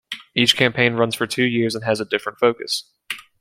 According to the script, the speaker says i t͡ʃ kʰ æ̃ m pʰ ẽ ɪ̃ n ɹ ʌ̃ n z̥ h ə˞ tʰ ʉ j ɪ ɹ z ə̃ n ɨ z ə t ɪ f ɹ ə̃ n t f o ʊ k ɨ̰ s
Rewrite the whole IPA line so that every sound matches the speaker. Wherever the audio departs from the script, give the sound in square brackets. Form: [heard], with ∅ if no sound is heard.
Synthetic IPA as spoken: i t͡ʃ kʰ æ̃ m pʰ ẽ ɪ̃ n ɹ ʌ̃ n z̥ [f] ə˞ tʰ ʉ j ɪ ɹ z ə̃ n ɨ z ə [d] ɪ f ɹ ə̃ n t f o ʊ k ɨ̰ s